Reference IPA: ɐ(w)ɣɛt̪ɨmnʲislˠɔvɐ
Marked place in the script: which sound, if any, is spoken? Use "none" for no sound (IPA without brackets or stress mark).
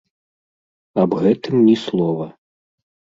b